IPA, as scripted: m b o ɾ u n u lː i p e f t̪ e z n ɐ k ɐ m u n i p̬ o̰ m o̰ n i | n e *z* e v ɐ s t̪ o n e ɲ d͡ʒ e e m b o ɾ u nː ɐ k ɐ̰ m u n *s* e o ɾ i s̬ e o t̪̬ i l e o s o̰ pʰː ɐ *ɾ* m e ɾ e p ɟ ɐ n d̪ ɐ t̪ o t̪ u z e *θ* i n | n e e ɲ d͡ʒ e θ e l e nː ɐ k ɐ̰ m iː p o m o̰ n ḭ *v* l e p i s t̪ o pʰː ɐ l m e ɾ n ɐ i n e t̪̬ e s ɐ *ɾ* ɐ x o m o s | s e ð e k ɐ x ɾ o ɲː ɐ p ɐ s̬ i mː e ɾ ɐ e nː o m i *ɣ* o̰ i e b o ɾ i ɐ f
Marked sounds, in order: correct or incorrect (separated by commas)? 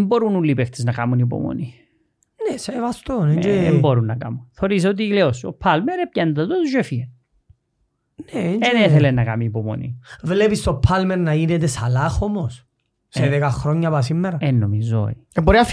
incorrect, incorrect, incorrect, incorrect, correct, incorrect, incorrect